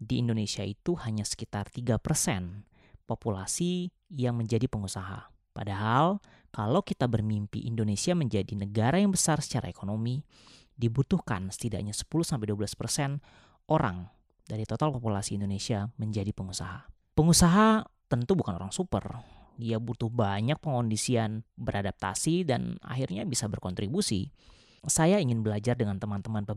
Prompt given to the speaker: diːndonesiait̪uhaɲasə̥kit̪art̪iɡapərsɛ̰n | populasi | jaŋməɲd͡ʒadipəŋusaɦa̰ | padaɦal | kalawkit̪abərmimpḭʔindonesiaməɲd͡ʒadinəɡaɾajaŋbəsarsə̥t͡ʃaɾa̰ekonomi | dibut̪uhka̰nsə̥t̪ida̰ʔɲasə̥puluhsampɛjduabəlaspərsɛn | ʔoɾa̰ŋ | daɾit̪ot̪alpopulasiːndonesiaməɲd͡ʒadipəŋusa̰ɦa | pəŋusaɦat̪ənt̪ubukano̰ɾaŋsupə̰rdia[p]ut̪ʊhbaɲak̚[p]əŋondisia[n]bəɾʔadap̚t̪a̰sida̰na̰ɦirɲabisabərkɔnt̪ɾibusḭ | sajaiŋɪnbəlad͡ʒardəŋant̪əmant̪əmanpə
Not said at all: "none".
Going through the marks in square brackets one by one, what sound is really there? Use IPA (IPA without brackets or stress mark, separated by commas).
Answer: b, p, n